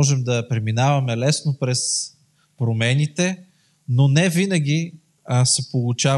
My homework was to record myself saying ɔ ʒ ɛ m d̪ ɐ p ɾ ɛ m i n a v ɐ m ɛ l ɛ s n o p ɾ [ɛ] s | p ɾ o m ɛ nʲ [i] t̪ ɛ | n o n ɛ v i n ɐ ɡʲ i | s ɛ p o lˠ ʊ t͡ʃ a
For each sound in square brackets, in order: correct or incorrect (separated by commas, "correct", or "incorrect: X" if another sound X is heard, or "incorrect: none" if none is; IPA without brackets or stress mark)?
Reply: correct, correct